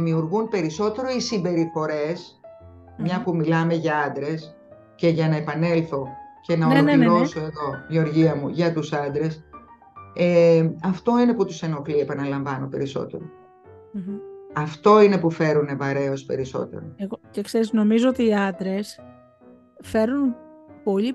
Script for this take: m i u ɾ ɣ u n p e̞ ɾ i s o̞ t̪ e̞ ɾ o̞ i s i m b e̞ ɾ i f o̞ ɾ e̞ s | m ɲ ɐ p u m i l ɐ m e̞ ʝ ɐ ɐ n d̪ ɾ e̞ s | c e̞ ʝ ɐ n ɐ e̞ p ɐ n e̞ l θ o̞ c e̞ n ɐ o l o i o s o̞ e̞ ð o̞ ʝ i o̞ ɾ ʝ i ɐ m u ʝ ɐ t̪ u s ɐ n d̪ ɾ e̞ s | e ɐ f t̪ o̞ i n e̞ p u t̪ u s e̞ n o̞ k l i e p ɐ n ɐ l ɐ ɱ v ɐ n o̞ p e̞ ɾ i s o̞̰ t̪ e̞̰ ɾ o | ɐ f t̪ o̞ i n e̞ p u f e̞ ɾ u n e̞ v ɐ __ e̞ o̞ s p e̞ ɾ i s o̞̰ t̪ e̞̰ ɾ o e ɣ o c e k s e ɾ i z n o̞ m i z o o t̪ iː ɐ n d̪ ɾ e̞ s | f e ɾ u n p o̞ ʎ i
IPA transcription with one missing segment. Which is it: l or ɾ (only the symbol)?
ɾ